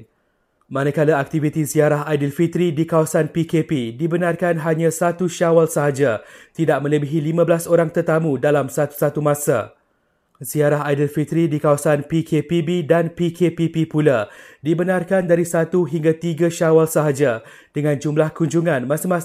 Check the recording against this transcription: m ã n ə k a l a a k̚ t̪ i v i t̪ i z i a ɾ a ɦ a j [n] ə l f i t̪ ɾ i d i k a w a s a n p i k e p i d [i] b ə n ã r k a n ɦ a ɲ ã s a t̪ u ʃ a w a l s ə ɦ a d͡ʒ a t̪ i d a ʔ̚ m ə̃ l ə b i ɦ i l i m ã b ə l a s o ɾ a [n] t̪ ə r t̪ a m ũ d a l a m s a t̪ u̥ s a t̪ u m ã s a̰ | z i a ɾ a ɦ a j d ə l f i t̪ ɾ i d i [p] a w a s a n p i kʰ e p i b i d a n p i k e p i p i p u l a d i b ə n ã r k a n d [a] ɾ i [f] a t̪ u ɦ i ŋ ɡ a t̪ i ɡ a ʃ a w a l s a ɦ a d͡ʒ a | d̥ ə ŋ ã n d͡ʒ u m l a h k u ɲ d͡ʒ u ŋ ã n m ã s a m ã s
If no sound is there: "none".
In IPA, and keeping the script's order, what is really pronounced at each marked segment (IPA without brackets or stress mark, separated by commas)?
d, i, ŋ, k, a, s